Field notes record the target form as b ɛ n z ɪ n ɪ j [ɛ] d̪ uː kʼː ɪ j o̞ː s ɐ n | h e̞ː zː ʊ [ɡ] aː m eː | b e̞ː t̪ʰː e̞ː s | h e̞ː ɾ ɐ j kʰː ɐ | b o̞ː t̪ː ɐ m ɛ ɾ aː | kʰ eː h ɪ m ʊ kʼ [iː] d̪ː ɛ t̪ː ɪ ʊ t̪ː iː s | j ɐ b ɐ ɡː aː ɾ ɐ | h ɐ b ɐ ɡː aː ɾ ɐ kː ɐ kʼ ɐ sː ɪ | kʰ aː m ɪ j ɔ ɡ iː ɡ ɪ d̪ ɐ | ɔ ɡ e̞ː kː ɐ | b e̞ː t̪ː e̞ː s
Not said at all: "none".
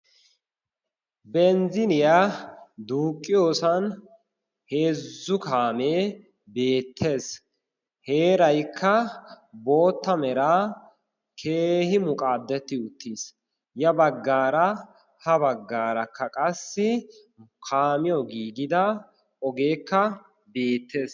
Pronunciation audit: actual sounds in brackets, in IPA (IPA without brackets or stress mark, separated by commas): a, k, aː